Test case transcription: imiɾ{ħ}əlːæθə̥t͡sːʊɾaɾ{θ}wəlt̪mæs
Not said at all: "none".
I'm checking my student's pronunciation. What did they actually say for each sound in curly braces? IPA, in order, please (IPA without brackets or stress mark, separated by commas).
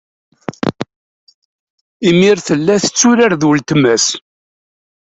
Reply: θ, ð